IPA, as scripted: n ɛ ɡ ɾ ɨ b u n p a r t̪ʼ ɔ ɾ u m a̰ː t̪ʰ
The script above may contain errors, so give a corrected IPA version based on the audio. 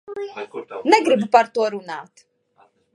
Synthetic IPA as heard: n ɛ ɡ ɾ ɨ b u p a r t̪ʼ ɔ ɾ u n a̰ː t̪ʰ